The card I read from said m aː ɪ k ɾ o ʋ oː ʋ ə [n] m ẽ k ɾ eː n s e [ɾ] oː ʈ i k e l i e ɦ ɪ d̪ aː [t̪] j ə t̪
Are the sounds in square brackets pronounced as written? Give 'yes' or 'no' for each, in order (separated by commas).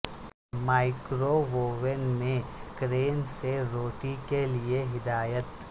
yes, yes, no